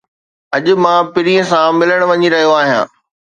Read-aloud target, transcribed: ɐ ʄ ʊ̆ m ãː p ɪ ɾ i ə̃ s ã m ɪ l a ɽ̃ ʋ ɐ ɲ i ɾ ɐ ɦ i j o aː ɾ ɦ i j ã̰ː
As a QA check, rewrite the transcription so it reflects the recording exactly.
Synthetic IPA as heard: ɐ ʄ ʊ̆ m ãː p ɪ ɾ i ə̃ s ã m ɪ l ə ɽ̃ ʋ ɐ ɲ i ɾ ɐ ɦ i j o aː ɦ i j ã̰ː

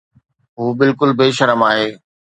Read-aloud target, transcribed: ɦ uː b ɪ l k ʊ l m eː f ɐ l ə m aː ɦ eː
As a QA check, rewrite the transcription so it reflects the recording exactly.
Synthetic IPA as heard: ɦ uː b ɪ l k ʊ l b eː ʃ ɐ ɾ ə m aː ɦ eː

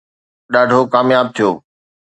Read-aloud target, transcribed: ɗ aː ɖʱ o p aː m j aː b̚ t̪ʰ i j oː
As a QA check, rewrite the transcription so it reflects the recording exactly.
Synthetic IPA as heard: ɗ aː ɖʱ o k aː m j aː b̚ t̪ʰ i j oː

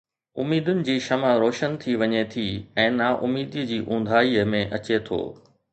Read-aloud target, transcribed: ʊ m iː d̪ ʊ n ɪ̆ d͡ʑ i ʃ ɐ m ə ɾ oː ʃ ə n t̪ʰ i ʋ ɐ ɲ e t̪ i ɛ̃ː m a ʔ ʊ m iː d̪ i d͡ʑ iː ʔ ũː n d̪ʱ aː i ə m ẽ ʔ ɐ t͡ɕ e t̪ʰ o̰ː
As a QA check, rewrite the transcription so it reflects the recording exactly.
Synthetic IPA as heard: ʊ m iː d̪ ʊ n ɪ̆ d͡ʑ iː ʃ ɐ m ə ɾ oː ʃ ə n t̪ʰ i ʋ ɐ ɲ e t̪ʰ i ɛ̃ː n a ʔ ʊ m iː d̪ i d͡ʑ iː ʔ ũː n d̪ʱ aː i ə m ẽ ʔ ɐ t͡ɕ e t̪ʰ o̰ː

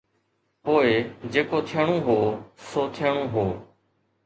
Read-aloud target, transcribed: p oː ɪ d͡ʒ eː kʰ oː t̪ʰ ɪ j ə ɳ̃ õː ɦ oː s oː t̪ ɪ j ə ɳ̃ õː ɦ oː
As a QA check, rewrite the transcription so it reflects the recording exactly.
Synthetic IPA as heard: p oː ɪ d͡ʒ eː k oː t̪ʰ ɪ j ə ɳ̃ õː ɦ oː s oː t̪ʰ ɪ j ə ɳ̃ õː ɦ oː

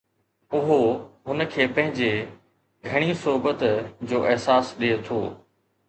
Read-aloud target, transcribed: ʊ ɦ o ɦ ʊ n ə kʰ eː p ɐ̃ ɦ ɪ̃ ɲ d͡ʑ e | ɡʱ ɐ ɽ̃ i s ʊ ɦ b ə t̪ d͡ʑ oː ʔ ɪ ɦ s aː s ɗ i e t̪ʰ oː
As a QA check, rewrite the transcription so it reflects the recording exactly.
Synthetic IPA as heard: ʊ ɦ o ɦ ʊ n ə kʰ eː p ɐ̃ ɦ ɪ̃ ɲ d͡ʑ e | ɡʱ ɐ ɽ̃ i s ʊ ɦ b ə t̪ d͡ʑ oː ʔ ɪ ɦ s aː s ɗ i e t̪ʰ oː

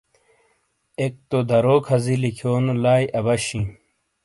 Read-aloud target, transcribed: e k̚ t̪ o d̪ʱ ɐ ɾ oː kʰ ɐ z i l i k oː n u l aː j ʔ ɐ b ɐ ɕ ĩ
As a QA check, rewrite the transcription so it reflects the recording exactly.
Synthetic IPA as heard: e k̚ t̪ o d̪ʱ ɐ ɾ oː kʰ ɐ z i l i kʰ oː n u l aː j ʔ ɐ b ɐ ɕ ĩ

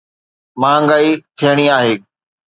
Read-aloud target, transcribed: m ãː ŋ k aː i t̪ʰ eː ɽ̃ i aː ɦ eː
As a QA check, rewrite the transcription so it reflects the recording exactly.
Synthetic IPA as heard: m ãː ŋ ɡ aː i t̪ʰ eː ɽ̃ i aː ɦ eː

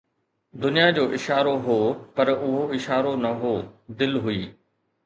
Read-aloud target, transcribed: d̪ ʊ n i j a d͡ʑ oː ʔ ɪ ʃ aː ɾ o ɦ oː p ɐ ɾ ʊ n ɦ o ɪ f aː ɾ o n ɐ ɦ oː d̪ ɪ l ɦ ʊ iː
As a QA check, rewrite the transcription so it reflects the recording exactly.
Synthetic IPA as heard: d̪ ʊ n i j a d͡ʑ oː ʔ ɪ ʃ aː ɾ o ɦ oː p ɐ ɾ ʊ ɦ o ɪ ʃ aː ɾ o n ɐ ɦ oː d̪ ɪ l ɦ ʊ iː

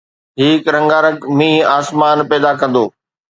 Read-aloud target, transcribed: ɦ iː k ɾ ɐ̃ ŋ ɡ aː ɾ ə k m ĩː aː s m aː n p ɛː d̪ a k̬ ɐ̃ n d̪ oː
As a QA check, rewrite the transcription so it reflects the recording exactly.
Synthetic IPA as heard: ɦ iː k ɾ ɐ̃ ŋ ɡ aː ɾ ə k m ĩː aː s m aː n p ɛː d̪ a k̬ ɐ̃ n d̪ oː

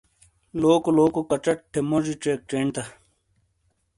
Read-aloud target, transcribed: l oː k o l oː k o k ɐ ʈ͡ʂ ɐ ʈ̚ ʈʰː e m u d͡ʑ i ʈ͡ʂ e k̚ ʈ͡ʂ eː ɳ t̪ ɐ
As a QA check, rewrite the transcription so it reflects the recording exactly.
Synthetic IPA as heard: l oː k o l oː k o k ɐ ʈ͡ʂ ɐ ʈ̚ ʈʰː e m o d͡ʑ i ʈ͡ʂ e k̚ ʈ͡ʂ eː ɳ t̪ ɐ

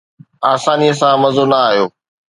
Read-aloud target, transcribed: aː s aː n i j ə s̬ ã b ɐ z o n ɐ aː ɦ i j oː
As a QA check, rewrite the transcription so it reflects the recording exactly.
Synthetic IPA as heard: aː s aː n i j ə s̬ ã m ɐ z o n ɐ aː ɦ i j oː

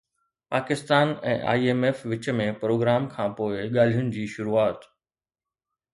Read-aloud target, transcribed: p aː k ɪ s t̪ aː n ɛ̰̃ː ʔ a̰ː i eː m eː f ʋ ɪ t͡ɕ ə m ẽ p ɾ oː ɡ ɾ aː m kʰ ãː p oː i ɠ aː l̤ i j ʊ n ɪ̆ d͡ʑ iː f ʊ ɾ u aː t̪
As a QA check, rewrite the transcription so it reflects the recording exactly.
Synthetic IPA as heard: p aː k ɪ s t̪ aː n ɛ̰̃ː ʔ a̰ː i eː m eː f ʋ ɪ t͡ɕ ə m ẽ p ɾ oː ɡ ɾ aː m kʰ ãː p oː ɪ ɠ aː l̤ i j ʊ n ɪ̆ d͡ʑ iː ʃ ʊ ɾ u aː t̪

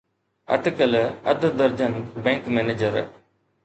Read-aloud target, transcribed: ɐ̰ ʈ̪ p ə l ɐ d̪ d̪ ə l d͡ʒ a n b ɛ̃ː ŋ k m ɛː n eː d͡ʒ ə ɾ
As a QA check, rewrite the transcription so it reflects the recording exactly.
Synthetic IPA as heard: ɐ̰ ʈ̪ k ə l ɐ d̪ d̪ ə ɾ d͡ʒ ə n b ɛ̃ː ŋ k m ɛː n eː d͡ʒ ə ɾ

